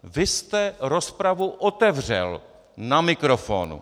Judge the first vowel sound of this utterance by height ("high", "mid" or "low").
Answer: high